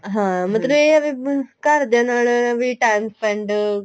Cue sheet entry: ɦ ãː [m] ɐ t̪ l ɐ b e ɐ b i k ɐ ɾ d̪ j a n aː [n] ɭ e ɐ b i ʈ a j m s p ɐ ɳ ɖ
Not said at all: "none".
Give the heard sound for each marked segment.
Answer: m, none

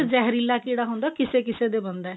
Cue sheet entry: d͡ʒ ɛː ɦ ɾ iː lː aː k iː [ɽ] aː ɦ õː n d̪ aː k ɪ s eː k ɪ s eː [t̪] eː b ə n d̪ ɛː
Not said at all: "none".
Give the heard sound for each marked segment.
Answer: ɽ, d̪

